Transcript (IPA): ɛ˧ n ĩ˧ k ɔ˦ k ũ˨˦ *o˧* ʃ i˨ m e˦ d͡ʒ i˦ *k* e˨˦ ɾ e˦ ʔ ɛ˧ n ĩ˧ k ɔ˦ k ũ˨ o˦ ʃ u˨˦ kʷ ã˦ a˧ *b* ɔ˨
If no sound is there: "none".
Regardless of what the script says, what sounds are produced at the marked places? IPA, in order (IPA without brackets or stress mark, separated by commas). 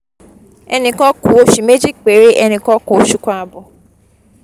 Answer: o˧, k͡p, b